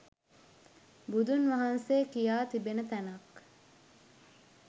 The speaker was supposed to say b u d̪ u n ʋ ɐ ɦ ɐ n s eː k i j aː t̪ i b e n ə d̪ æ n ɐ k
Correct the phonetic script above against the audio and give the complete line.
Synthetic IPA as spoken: b u d̪ u n ʋ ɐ ɦ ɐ n s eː k i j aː t̪ i b e n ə t̪ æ n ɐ k